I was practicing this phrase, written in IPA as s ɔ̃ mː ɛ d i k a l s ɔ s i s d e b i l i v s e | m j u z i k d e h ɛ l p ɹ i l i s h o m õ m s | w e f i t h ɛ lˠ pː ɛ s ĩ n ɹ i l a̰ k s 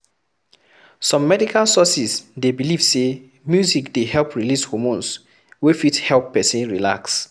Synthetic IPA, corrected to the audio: s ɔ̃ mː ɛ d i k a l s ɔ s i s d e b i l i v s e | m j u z i k d e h ɛ l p ɹ i l i s h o m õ n s | w e f i t h ɛ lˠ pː ɛ s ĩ n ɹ i l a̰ k s